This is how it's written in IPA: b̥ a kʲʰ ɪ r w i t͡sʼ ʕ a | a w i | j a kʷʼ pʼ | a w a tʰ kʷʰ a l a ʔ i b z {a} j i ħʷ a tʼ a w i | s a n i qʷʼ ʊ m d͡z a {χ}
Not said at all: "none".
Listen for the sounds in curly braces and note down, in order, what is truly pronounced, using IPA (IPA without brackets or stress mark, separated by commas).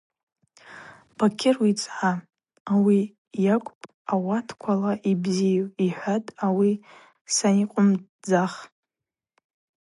i, χ